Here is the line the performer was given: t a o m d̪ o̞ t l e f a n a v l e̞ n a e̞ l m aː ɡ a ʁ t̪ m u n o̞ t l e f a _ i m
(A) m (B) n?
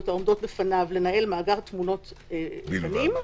B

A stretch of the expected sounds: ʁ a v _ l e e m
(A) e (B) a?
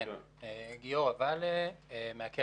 B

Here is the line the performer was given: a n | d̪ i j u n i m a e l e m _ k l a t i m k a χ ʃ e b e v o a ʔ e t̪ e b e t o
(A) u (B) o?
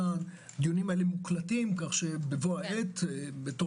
A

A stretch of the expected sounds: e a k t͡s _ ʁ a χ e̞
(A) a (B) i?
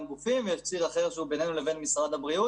B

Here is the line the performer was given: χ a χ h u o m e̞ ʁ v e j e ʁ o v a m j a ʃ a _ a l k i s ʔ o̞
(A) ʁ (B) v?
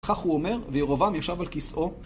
B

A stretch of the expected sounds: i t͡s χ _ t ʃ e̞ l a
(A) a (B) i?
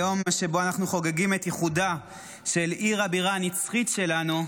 B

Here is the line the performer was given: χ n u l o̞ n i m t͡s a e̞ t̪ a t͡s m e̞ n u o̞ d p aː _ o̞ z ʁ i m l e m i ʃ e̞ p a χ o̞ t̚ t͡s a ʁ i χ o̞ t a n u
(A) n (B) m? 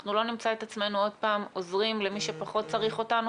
B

